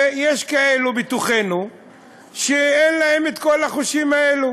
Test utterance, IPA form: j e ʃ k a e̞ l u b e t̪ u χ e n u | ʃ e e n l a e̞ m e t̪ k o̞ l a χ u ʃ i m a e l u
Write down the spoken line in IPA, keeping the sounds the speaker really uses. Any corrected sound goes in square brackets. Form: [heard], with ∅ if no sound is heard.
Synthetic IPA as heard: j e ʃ k a e̞ l u b [i] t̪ u χ e n u | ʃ e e n l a e̞ m e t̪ k o̞ l a χ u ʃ i m a e l u